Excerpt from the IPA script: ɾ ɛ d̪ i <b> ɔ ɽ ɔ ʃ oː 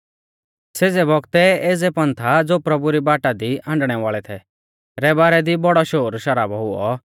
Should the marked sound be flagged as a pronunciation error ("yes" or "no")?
no